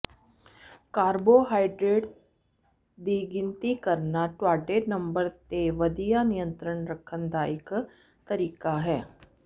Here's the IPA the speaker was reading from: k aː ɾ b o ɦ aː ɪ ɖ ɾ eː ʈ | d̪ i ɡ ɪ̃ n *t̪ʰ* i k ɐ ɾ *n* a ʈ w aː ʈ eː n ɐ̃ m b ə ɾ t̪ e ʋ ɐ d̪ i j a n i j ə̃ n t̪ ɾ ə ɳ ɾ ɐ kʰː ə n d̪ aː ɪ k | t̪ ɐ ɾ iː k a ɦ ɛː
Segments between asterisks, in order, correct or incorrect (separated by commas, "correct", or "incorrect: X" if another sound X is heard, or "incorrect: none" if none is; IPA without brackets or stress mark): incorrect: t̪, correct